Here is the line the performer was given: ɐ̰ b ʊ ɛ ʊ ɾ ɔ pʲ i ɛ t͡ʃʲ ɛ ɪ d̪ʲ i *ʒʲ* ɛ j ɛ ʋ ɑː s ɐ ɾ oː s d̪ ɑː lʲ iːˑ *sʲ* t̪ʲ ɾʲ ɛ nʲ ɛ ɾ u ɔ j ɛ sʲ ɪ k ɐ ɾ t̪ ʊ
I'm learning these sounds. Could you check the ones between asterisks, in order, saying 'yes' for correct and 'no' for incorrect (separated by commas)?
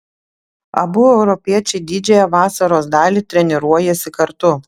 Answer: no, no